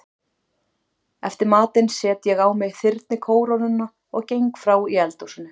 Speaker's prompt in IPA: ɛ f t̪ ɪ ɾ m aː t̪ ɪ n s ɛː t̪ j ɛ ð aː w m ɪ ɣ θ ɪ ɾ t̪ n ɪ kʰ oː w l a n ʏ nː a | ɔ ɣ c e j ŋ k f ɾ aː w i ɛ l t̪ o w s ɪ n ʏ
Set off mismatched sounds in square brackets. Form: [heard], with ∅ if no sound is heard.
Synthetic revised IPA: ɛ f t̪ ɪ ɾ m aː t̪ ɪ n s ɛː t̪ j ɛ [ɣ] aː w m ɪ ɣ θ ɪ ɾ t̪ n ɪ kʰ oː w [ɾ] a n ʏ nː a | ɔ ɣ c e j ŋ k f ɾ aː w i ɛ l t̪ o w s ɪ n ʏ